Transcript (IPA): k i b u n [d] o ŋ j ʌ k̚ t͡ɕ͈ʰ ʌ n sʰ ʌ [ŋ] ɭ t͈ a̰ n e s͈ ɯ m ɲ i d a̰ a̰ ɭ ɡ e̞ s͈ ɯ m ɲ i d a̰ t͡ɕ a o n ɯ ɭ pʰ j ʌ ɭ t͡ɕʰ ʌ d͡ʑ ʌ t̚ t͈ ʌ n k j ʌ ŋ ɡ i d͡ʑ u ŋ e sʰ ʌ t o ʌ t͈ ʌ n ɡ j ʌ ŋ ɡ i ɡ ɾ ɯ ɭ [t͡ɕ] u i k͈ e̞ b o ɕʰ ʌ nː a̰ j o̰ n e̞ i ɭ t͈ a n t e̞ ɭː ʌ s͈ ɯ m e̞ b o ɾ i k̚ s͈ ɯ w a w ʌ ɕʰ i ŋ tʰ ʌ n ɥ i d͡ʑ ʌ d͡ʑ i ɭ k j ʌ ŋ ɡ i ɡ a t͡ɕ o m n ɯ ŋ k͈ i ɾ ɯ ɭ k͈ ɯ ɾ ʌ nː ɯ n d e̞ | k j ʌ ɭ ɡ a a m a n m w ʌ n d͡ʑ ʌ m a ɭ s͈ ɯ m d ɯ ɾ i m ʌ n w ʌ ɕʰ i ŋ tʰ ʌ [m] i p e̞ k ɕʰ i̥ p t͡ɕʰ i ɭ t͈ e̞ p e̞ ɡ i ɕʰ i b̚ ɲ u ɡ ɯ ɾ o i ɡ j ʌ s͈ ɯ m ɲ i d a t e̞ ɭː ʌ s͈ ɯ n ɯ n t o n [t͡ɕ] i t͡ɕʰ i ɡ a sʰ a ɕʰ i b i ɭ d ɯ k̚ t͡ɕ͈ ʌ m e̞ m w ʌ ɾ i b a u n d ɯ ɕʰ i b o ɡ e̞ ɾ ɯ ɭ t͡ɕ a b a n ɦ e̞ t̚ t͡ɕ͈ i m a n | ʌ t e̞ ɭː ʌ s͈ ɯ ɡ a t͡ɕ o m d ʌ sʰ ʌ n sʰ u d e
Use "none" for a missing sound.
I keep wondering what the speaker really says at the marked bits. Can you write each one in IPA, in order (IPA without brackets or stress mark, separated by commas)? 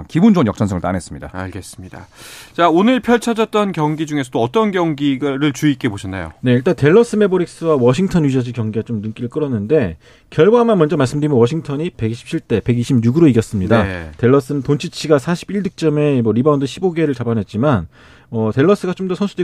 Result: d͡ʑ, ŋ, t͡ɕ, ɲ, t͡ɕʰ